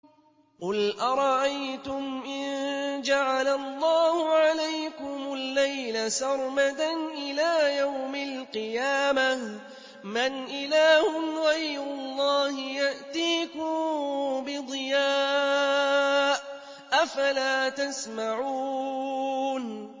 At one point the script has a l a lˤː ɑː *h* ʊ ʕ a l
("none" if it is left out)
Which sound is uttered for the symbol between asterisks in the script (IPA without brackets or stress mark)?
h